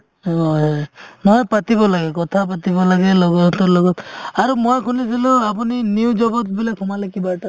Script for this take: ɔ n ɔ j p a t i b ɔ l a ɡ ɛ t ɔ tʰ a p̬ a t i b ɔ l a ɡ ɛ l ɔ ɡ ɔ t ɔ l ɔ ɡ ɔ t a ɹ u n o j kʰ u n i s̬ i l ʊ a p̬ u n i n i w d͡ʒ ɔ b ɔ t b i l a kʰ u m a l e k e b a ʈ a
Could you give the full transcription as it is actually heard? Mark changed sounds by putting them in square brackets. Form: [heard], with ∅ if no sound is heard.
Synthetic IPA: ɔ n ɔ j p a t i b ɔ l a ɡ ɛ [k] ɔ tʰ a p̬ a t i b ɔ l a ɡ ɛ l ɔ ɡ ɔ t ɔ l ɔ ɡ ɔ t a ɹ u [m] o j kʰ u n i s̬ i l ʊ a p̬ u n i n i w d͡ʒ ɔ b ɔ t b i l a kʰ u m a l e k [i] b a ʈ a